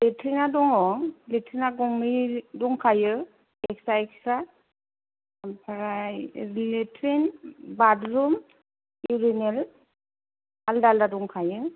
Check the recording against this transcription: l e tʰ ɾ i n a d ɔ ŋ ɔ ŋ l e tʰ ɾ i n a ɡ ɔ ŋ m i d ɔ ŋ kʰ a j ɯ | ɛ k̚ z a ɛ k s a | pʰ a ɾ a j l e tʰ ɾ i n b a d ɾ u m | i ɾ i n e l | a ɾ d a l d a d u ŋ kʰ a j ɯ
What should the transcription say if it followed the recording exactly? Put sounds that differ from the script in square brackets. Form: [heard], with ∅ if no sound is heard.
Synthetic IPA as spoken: l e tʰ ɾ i n a d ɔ ŋ ɔ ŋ l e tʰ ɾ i n a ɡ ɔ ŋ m i d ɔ ŋ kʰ a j ɯ | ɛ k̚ [s] a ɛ k s a | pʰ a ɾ a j l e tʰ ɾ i n b a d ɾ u m | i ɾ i n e l | a [l] d a l d a d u ŋ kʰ a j ɯ